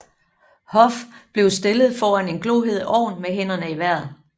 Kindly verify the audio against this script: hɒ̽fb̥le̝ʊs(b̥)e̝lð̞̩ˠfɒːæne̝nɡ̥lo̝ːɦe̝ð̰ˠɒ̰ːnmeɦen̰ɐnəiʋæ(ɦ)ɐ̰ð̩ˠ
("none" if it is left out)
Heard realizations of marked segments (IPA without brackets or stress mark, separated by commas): d̥, none